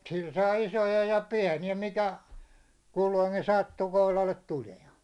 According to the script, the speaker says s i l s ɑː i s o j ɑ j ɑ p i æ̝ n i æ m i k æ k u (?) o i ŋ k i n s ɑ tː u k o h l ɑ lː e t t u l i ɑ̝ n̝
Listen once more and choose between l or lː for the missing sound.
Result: lː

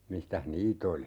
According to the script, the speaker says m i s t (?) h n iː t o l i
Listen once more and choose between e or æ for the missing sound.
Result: æ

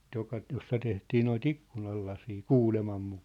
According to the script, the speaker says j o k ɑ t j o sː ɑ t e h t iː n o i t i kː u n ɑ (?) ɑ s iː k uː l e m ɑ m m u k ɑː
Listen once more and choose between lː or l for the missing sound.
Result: lː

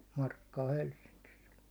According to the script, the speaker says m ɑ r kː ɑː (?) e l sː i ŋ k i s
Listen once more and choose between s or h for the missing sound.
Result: h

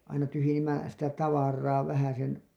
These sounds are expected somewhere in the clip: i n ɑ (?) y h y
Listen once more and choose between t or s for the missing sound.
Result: t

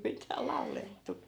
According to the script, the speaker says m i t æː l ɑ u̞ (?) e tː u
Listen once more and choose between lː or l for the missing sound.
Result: l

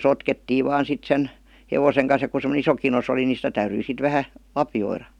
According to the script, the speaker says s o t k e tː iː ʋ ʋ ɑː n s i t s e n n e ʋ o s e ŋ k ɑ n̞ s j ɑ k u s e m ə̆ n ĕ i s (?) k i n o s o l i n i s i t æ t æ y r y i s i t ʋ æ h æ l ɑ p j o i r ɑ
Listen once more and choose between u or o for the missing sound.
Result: o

